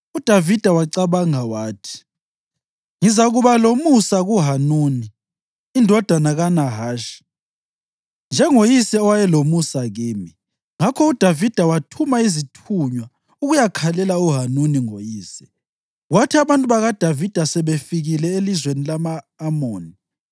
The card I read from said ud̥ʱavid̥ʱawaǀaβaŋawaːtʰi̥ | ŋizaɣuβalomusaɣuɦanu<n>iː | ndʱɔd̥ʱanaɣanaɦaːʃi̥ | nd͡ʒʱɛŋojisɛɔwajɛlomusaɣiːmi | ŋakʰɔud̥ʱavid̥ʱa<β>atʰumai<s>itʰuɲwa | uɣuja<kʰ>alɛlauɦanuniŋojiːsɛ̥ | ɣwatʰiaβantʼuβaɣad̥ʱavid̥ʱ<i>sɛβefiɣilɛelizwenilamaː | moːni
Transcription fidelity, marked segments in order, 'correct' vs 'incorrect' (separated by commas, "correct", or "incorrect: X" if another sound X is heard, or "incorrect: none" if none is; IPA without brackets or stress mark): correct, incorrect: w, incorrect: z, correct, incorrect: a